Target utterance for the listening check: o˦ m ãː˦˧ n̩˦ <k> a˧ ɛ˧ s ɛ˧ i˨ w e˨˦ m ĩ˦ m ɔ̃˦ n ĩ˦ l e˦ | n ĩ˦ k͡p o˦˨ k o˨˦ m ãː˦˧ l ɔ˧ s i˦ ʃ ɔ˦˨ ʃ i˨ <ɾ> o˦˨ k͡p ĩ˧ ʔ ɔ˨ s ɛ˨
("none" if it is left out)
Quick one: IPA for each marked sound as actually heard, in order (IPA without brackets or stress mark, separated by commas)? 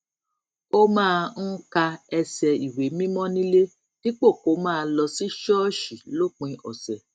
k, l